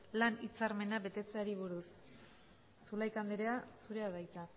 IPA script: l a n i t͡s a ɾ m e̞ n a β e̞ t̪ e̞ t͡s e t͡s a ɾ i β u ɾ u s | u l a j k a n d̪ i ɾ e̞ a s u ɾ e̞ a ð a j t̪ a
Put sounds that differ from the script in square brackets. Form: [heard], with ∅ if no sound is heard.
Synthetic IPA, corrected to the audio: l a n i t͡s a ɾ m e̞ n a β e̞ t̪ e̞ t͡s e [∅] a ɾ i β u ɾ u s | u l a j k a n d̪ [e] ɾ e̞ a s u ɾ e̞ a ð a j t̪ a